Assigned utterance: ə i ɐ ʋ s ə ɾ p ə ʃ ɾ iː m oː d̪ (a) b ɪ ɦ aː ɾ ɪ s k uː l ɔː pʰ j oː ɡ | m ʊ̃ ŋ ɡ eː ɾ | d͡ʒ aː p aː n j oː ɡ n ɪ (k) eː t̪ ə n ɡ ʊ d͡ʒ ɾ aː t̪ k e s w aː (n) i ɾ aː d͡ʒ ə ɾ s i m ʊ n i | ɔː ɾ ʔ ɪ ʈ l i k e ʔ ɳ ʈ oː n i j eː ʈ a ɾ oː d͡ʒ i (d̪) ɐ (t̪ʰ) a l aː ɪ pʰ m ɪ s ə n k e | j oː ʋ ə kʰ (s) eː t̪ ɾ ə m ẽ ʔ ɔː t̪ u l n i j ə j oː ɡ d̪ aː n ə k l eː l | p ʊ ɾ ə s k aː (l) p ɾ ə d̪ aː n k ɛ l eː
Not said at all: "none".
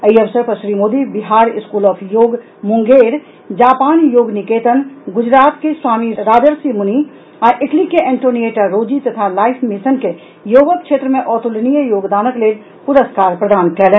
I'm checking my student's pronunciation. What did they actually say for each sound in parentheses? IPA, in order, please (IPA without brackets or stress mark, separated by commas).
i, k, m, t̪, t̪ʰ, ʃ, ɾ